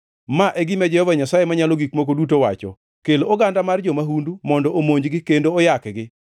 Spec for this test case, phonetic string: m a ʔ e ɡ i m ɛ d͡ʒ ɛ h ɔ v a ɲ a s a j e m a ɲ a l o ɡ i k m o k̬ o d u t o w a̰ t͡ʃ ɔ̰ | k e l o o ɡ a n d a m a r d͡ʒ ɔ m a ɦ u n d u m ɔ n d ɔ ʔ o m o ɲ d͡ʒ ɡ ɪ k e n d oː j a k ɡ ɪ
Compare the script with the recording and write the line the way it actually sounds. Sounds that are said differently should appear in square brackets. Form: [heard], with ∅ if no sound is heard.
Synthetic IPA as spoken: m a ʔ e ɡ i m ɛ d͡ʒ ɛ h ɔ v a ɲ a s a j e m a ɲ a l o ɡ i k m o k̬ o d u t o w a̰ t͡ʃ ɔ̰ | k e l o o ɡ a n d a m a r d͡ʒ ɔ m a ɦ u n d u m ɔ n d ɔ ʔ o m o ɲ d͡ʒ ɡ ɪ k e n d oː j a k ɡ ɪ